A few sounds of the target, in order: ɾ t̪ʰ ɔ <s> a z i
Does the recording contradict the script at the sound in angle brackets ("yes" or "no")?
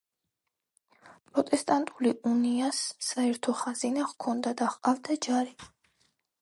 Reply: yes